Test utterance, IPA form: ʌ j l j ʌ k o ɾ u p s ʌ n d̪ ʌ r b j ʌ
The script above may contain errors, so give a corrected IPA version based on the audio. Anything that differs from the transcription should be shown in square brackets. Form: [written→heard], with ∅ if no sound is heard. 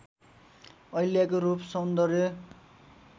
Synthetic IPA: ʌ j l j [ʌ→a] k o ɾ u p s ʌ n d̪ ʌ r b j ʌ